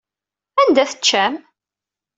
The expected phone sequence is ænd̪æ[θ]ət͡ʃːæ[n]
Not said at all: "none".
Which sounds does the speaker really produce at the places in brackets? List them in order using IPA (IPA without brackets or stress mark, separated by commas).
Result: θ, m